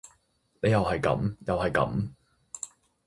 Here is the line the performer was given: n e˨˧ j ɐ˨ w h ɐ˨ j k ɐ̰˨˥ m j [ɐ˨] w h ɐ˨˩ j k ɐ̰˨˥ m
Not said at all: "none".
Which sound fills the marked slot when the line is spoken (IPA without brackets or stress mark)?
ɐ˨